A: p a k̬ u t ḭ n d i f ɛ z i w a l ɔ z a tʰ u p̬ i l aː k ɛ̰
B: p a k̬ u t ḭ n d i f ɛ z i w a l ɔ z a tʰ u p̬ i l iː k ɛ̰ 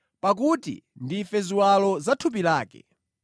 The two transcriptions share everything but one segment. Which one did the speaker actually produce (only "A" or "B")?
A